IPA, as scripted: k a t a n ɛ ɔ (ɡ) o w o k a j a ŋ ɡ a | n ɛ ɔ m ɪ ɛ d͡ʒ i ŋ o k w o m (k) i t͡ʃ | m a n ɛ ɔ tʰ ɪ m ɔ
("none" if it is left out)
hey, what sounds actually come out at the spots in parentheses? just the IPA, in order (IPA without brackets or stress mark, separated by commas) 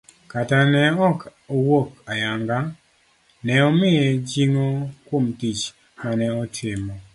k, t